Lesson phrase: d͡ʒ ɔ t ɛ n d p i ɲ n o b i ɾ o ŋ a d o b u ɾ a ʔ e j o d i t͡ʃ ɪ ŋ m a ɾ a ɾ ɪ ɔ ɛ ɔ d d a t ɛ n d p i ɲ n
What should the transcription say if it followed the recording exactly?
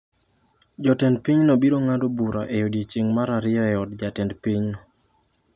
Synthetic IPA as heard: d͡ʒ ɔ t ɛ n d p i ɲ n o b i ɾ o ŋ a d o b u ɾ a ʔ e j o d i t͡ʃ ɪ ŋ m a ɾ a ɾ ɪ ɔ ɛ ɔ d d͡ʒ a t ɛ n d p i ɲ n